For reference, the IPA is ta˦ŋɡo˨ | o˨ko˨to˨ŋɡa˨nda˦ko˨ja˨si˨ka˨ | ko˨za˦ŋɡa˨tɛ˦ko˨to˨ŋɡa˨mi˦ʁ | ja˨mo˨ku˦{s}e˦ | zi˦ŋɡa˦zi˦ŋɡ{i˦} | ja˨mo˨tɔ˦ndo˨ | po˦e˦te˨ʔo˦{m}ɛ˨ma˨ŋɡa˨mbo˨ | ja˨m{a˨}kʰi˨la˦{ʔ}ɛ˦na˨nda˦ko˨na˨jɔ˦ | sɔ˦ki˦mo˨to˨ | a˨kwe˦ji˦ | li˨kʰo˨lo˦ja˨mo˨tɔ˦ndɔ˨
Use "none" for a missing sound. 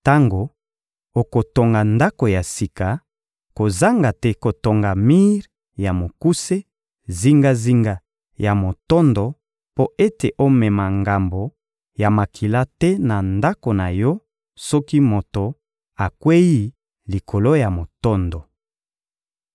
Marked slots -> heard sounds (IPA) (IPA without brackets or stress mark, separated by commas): s, a˦, m, a˨, t